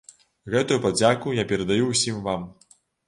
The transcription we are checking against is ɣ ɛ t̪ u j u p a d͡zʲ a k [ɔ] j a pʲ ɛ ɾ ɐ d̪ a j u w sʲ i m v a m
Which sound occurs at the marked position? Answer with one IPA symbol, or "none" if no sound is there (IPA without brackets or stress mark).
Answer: u